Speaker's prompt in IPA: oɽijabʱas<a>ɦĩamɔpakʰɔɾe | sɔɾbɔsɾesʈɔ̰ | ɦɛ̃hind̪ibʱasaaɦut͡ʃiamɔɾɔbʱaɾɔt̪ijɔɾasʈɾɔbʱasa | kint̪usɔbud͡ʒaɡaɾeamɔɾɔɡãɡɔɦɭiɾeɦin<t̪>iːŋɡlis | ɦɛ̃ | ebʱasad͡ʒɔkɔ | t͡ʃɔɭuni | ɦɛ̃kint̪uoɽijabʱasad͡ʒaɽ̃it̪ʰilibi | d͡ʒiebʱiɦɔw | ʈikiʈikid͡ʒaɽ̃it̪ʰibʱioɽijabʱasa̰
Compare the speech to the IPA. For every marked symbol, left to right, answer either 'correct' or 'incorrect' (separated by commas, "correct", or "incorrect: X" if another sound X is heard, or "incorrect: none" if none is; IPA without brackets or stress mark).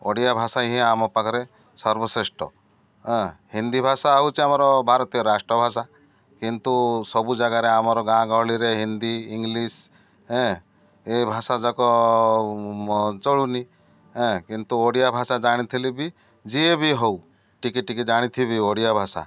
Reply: correct, incorrect: d̪